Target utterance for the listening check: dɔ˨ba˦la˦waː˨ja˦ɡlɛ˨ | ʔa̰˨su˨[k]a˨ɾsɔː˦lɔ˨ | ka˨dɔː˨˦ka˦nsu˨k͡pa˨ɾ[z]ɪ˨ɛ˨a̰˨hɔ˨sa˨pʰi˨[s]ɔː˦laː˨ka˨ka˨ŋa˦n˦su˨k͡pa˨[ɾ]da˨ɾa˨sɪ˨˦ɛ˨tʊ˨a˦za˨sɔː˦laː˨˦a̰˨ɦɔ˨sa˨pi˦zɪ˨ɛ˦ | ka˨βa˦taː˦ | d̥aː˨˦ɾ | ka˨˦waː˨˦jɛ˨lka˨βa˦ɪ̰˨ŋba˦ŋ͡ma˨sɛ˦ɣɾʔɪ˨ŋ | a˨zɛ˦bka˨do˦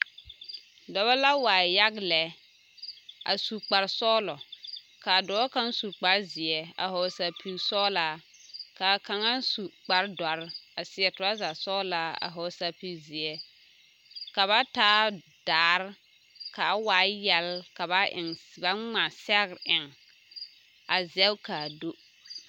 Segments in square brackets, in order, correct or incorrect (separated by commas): incorrect, correct, correct, correct